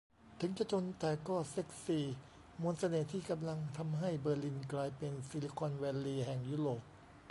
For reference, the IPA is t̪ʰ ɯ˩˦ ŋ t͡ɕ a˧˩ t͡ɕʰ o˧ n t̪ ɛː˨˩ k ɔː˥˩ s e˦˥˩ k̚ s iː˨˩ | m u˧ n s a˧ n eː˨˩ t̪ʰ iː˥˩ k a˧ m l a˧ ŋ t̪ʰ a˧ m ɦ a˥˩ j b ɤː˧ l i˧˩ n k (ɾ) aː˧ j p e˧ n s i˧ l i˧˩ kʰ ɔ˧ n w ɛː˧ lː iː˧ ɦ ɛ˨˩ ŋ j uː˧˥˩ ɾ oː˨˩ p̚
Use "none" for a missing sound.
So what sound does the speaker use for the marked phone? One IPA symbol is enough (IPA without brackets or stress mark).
l